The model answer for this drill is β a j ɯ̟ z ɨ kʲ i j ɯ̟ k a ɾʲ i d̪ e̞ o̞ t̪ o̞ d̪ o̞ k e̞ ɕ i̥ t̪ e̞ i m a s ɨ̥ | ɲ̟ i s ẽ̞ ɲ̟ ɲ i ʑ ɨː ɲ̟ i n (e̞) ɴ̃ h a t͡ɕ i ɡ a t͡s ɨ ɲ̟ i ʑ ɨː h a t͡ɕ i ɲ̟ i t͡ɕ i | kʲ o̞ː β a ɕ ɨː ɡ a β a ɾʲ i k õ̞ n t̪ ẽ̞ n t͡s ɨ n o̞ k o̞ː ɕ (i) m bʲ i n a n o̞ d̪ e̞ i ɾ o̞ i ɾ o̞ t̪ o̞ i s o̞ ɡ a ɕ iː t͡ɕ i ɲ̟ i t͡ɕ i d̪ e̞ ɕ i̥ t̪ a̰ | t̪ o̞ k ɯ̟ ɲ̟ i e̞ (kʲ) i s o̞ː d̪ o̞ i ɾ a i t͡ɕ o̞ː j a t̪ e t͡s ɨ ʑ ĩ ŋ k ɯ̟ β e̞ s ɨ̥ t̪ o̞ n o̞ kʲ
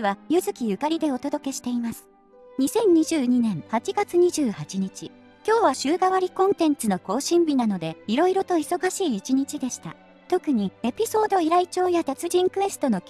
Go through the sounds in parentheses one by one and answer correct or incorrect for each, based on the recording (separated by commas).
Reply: incorrect, incorrect, incorrect